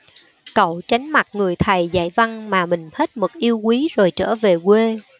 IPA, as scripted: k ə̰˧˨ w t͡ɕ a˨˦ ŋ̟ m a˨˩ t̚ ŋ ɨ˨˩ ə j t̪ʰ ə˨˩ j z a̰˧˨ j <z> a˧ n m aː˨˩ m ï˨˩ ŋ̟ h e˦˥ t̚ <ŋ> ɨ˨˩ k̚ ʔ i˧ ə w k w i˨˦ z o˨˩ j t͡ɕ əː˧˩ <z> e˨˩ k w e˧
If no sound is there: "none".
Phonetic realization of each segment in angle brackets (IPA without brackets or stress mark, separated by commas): v, m, v